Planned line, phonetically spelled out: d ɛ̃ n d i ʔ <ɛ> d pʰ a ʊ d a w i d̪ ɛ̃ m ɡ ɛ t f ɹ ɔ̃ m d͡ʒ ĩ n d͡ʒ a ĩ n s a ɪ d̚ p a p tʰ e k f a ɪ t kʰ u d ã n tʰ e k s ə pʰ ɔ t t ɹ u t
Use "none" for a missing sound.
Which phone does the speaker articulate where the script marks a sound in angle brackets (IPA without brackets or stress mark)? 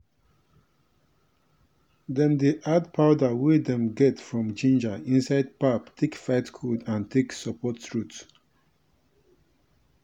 a